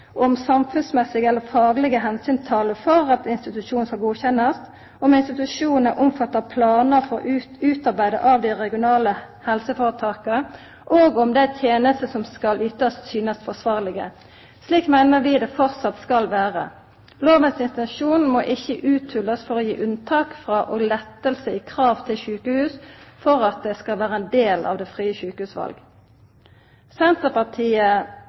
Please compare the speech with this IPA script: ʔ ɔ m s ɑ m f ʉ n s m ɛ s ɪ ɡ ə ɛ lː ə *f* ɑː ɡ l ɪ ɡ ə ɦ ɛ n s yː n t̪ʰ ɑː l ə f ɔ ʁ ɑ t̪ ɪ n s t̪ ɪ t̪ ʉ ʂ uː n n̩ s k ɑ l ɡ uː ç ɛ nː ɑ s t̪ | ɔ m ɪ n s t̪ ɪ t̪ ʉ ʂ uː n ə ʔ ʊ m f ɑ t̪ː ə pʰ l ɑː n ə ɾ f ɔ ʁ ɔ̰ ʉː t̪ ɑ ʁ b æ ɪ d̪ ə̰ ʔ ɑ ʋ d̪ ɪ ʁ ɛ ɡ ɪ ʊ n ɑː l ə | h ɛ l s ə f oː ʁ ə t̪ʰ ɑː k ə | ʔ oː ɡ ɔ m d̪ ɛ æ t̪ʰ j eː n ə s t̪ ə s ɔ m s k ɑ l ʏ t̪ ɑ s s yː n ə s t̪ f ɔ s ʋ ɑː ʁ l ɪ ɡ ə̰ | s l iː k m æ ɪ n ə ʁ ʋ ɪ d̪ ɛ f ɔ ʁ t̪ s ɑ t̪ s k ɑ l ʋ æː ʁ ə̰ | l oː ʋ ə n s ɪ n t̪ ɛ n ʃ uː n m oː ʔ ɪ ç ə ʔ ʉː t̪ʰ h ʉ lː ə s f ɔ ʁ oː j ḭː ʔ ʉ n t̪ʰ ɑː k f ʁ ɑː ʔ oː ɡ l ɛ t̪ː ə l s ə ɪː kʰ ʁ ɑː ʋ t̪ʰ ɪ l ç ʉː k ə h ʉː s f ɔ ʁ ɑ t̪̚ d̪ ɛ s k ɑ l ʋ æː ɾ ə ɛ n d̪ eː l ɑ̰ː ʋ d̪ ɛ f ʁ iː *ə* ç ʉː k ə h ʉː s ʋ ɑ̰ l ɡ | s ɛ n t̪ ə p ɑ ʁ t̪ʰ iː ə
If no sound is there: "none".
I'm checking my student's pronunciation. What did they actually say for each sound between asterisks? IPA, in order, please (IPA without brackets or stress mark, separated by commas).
f, ə